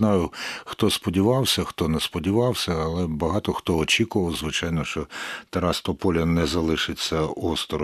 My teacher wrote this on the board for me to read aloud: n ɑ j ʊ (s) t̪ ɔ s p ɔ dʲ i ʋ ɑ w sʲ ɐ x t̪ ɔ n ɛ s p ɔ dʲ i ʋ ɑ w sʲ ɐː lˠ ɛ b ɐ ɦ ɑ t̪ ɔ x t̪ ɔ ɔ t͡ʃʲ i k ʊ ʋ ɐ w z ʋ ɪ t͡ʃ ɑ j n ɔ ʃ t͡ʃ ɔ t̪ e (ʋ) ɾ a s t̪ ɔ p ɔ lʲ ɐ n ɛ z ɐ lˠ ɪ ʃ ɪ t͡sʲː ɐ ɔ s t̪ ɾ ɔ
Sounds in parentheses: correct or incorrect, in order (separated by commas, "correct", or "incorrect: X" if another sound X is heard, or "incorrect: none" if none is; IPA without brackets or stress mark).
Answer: incorrect: x, incorrect: none